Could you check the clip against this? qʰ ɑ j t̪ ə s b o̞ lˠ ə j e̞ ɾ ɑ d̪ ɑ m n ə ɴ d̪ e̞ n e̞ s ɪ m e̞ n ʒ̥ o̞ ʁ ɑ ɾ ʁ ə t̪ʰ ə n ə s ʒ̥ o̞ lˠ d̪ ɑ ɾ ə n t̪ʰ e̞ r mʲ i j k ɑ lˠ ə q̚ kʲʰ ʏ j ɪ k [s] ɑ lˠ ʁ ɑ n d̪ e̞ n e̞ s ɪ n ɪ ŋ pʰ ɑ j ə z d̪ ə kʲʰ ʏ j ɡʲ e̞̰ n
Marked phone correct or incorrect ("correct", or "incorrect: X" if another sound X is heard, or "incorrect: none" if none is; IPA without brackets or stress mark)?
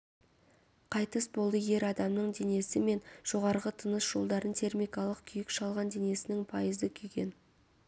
incorrect: ʃ